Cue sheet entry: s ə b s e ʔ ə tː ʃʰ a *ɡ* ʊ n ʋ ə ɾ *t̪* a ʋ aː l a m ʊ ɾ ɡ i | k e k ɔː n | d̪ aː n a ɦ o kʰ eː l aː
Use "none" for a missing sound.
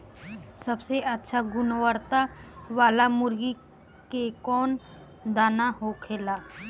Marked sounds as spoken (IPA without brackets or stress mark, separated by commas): ɡ, t̪